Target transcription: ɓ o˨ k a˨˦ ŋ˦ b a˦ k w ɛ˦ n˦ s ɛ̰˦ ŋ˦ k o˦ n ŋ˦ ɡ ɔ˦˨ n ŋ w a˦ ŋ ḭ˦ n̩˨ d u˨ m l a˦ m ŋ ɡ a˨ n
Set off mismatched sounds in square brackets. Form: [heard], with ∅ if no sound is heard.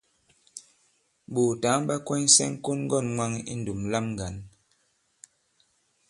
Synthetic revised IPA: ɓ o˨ [t] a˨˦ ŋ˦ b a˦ k w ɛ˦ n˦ s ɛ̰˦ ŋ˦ k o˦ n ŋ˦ ɡ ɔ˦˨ n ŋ w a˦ ŋ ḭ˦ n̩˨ d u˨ m l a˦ m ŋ ɡ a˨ n